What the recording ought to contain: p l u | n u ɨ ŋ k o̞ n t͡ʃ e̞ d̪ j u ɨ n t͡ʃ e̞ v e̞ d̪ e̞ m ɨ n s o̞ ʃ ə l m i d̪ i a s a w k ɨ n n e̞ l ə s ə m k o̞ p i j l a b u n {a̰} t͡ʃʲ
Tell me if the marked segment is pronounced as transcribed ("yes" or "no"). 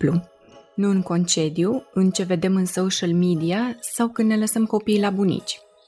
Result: no